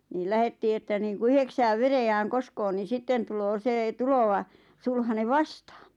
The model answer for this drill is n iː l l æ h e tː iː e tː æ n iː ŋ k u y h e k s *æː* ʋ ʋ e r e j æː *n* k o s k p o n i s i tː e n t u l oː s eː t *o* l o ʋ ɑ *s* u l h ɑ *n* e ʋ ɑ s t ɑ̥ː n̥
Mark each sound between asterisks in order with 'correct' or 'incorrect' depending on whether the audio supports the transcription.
correct, incorrect: ŋ, incorrect: u, correct, correct

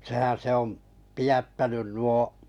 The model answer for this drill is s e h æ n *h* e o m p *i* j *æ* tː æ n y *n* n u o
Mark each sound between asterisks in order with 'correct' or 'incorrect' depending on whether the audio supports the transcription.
incorrect: s, correct, correct, correct

